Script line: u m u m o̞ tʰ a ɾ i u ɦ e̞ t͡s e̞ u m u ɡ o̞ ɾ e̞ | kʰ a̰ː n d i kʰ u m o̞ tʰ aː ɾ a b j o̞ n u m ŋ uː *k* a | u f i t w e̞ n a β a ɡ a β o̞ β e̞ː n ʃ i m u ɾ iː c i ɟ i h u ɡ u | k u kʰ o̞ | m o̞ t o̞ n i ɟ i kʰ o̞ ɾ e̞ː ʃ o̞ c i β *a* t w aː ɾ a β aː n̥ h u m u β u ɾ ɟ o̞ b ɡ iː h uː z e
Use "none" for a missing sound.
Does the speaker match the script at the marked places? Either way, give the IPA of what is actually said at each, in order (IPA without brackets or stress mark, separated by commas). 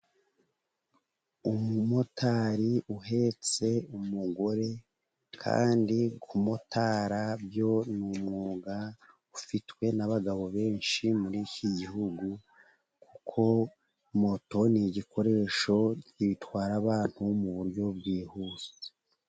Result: ɡ, i